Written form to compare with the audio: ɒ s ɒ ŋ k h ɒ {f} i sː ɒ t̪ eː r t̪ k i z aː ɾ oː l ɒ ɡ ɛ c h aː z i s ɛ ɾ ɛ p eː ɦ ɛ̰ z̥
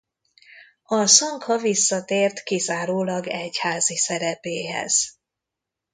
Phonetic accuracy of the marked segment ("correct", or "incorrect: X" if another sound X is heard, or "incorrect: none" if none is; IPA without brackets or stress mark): incorrect: v